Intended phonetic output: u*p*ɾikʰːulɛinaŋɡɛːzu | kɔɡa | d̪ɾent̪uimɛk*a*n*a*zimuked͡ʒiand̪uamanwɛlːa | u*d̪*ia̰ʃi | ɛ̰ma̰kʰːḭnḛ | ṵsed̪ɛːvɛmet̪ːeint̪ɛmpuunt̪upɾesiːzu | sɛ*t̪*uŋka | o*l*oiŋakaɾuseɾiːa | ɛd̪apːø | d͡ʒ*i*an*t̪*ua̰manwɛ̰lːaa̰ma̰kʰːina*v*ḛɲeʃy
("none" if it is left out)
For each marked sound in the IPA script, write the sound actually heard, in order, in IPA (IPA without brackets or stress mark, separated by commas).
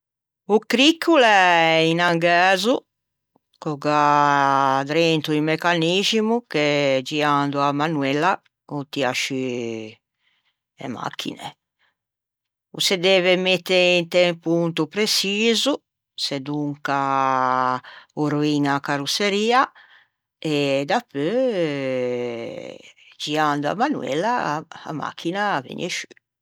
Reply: k, a, i, t̪, d̪, ɾ, i, d̪, v